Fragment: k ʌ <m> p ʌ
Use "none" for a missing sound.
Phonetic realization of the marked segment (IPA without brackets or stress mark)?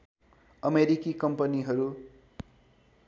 m